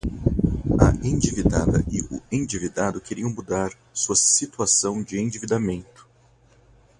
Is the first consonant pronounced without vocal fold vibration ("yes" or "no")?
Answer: no